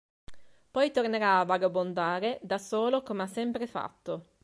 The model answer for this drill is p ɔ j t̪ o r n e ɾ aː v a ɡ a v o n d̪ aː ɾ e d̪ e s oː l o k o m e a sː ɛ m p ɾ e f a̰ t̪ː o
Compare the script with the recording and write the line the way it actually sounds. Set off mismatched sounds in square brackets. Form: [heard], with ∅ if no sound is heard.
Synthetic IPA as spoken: p ɔ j t̪ o r n e ɾ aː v a ɡ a [b] o n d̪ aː ɾ e d̪ [a] s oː l o k o m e a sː ɛ m p ɾ e f a̰ t̪ː o